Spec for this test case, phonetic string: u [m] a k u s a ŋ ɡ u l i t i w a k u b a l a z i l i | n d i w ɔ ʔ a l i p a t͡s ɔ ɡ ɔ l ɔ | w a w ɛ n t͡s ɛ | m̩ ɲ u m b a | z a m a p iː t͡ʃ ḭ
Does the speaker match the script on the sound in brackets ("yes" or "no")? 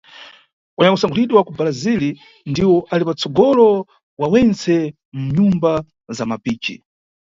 no